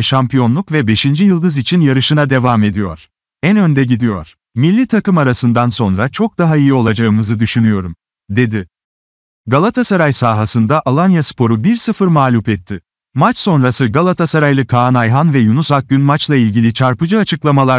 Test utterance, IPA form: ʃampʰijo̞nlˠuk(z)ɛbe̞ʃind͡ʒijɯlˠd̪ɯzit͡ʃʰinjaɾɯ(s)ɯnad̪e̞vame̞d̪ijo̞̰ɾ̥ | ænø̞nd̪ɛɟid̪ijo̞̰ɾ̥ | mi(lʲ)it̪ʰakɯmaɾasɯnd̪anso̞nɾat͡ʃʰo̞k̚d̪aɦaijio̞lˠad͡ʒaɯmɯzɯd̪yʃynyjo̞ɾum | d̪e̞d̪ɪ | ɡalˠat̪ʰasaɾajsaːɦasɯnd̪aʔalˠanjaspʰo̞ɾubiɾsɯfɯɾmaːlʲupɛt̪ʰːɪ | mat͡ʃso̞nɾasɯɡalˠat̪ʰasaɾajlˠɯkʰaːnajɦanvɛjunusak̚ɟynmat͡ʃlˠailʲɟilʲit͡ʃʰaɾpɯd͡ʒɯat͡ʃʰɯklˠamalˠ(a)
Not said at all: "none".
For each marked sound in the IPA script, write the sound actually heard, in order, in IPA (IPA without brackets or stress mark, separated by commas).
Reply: v, ʃ, lʲː, a